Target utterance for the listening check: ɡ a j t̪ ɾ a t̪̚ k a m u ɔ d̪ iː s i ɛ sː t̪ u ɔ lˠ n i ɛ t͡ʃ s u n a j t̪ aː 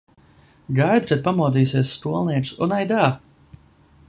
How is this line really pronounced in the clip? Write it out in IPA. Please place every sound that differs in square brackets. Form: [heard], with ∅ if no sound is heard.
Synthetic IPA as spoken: ɡ a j [d̪] ɾ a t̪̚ [p] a m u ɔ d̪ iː s i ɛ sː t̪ u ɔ lˠ n i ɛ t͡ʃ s u n a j [d̪] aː